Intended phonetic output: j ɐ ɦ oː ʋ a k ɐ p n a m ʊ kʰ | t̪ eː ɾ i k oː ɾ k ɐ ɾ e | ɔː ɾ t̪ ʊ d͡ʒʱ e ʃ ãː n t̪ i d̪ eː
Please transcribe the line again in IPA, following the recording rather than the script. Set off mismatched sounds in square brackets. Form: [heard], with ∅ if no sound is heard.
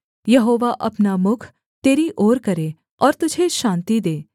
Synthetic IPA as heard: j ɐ ɦ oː ʋ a [ʔ] ɐ p n a m ʊ kʰ | t̪ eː ɾ i [ʔ] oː ɾ k ɐ ɾ e | ɔː ɾ t̪ ʊ d͡ʒʱ e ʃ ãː n t̪ i d̪ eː

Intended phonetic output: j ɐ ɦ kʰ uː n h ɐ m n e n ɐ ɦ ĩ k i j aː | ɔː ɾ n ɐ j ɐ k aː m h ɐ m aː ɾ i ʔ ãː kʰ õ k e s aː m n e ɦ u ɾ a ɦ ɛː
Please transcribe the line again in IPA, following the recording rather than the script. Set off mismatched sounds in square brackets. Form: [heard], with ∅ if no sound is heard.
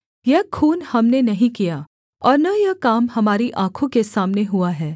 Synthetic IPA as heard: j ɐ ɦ kʰ uː n h ɐ m n e n ɐ ɦ ĩ k i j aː | ɔː ɾ n ɐ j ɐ k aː m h ɐ m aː ɾ i ʔ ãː kʰ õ k e s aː m n e ɦ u [∅] a ɦ ɛː

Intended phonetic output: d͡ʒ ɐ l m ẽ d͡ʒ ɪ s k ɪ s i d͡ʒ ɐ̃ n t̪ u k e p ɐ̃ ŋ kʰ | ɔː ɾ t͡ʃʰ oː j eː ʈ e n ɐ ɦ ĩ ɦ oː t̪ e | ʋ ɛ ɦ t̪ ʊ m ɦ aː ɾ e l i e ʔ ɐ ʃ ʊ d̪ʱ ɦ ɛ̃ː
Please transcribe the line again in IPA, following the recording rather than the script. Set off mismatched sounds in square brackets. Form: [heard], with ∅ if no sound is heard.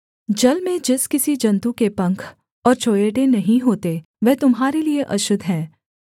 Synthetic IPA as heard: d͡ʒ ɐ l m ẽ d͡ʒ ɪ s k ɪ s i d͡ʒ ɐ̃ n t̪ u k e p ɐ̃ ŋ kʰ | ɔː ɾ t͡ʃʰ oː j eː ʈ e n ɐ ɦ ĩ ɦ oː t̪ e | ʋ ɛ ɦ t̪ ʊ m ɦ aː ɾ e l i e ʔ ɐ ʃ ʊ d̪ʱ ɦ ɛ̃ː

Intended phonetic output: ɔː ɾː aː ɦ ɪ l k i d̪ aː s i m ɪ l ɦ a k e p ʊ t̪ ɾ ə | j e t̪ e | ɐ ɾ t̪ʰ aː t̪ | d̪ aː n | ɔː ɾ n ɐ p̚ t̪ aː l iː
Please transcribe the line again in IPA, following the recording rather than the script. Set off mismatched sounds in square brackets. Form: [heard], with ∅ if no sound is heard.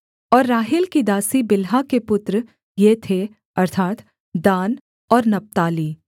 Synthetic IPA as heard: ɔː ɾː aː ɦ ɪ l k i d̪ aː s i [b] ɪ l ɦ a k e p ʊ t̪ ɾ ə | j e [t̪ʰ] e | ɐ ɾ t̪ʰ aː t̪ | d̪ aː n | ɔː ɾ n ɐ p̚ t̪ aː l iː

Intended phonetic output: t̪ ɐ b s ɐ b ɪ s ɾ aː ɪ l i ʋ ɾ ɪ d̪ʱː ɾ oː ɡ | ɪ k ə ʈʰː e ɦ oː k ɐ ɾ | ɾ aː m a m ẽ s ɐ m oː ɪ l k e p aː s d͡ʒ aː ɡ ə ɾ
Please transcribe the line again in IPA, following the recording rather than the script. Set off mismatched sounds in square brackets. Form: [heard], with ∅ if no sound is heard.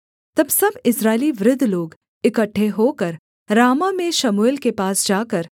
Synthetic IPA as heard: t̪ ɐ b s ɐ b ɪ s ɾ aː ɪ l i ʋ ɾ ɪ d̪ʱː [l] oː ɡ | ɪ k ə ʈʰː e ɦ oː k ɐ ɾ | ɾ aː m a m ẽ [ʃ] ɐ m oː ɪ l k e p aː s d͡ʒ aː [k] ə ɾ

